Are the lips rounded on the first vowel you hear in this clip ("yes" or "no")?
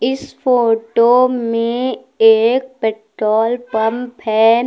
no